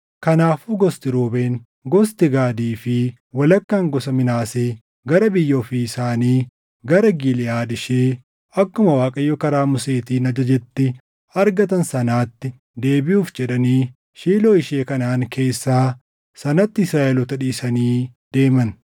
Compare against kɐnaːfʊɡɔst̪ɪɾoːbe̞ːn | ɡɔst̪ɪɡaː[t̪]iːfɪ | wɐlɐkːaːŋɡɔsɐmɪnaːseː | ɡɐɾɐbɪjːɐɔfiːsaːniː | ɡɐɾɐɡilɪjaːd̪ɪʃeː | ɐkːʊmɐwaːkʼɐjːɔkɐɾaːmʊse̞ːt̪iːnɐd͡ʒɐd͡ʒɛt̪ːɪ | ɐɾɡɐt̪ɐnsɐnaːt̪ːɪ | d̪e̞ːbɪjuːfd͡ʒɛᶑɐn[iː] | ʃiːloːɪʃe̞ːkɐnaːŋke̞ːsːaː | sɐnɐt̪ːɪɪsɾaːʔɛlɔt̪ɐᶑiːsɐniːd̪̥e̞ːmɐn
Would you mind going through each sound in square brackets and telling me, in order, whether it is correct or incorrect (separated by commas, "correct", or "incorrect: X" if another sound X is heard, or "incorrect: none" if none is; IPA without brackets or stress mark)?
incorrect: d̪, correct